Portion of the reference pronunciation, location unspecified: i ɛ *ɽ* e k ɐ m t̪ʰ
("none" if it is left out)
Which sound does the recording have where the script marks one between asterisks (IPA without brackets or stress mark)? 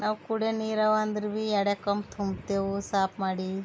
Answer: ɽ